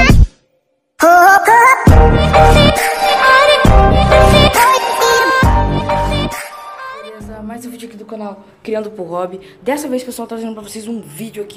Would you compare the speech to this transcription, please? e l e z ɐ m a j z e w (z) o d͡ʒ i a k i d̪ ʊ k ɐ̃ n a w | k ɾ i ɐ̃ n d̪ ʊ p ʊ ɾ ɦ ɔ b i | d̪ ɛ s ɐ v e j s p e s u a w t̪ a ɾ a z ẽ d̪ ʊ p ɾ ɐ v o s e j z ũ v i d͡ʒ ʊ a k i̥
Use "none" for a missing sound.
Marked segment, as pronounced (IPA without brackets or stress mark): v